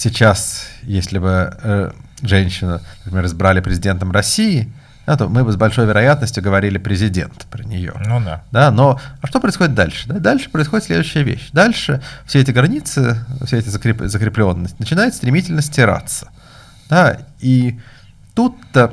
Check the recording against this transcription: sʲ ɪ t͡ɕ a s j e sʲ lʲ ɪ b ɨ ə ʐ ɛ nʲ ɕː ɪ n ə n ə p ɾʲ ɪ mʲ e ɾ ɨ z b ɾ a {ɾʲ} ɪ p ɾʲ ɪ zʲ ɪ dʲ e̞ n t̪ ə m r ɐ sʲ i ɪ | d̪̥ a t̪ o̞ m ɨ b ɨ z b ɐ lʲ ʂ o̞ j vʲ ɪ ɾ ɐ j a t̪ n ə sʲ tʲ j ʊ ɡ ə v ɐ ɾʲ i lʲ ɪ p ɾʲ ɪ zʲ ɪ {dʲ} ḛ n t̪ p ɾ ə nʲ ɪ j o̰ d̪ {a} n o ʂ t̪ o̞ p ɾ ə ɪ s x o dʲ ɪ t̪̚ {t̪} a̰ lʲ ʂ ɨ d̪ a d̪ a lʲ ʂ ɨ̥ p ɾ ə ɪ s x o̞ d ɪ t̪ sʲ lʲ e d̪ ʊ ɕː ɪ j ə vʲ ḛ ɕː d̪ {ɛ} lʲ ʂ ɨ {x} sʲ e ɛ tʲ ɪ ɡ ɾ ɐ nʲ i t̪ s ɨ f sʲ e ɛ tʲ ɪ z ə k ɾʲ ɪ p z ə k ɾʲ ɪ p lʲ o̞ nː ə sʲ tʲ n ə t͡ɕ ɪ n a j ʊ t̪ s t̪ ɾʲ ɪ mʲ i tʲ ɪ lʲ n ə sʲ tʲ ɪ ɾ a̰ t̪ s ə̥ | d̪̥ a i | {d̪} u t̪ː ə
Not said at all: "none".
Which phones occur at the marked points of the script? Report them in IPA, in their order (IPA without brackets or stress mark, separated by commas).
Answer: lʲ, dʲ, a, d̪, a, f, t̪